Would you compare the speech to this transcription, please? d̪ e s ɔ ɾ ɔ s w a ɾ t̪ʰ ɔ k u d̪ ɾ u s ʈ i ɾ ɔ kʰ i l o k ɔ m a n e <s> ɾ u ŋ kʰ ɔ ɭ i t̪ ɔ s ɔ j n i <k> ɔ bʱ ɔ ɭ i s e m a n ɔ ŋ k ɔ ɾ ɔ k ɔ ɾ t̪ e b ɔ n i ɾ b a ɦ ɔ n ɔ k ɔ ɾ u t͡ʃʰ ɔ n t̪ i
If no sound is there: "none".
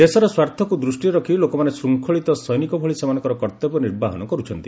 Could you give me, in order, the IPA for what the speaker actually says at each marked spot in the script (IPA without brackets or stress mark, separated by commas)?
s, k